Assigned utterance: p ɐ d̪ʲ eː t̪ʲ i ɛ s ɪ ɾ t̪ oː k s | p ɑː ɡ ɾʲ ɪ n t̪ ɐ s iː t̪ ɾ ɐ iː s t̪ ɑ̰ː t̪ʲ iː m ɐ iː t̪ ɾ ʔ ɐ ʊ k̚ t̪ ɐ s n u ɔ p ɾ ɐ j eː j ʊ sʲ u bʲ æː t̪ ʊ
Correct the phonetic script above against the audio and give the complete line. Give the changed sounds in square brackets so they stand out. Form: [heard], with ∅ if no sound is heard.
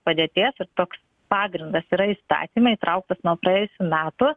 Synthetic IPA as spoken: p ɐ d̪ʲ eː t̪ʲ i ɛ s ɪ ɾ t̪ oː k s | p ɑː ɡ ɾʲ ɪ n [d̪] ɐ s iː [∅] ɾ ɐ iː s t̪ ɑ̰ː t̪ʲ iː m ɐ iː t̪ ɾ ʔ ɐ ʊ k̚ t̪ ɐ s n u ɔ p ɾ ɐ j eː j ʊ sʲ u [mʲ] æː t̪ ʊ